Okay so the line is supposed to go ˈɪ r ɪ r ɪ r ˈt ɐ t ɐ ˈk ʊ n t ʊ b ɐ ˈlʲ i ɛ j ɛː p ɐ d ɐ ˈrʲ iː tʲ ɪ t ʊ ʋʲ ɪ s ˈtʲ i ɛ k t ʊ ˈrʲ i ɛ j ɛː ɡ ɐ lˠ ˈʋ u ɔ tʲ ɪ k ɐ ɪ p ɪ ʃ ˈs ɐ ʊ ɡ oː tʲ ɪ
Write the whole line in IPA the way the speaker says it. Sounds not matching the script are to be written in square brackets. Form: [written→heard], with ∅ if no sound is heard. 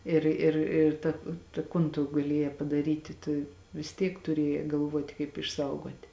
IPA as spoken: ˈɪ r ɪ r ɪ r ˈt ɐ t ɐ ˈk ʊ n t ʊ [b→ɡ] ɐ ˈlʲ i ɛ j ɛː p ɐ d ɐ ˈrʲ iː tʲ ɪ t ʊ ʋʲ ɪ s ˈtʲ i ɛ k t ʊ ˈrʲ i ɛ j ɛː ɡ ɐ lˠ ˈʋ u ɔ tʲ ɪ k ɐ ɪ p ɪ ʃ ˈs ɐ ʊ ɡ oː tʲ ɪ